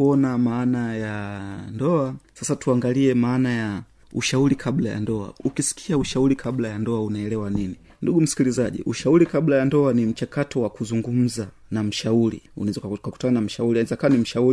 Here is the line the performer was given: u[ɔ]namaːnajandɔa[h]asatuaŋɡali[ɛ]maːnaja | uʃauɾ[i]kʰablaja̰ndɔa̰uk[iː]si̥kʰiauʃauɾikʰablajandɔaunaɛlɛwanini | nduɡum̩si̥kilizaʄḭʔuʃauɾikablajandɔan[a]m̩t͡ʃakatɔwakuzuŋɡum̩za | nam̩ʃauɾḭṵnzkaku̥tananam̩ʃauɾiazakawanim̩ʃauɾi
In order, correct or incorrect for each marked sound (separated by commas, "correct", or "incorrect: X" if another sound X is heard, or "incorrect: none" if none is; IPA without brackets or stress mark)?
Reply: correct, incorrect: s, correct, correct, incorrect: i, incorrect: i